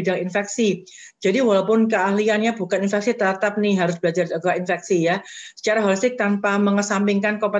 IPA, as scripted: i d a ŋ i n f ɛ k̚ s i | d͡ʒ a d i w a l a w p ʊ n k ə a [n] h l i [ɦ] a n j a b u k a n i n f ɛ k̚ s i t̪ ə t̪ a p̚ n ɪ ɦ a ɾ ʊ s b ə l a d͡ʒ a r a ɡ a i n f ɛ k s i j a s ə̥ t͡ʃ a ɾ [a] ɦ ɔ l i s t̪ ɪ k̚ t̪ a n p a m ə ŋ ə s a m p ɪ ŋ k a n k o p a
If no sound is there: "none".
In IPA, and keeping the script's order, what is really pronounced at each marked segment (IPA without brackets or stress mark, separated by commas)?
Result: none, none, a